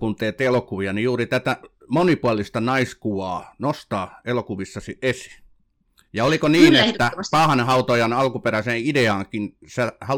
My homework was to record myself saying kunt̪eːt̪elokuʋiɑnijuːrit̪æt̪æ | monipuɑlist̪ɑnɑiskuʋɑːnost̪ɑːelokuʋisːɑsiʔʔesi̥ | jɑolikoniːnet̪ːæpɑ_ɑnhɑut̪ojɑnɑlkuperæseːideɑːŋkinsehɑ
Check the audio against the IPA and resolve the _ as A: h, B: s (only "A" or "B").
A